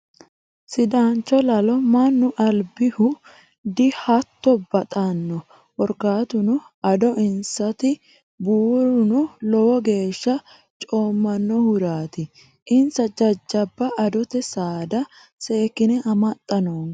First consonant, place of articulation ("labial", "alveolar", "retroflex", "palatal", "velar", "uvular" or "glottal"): alveolar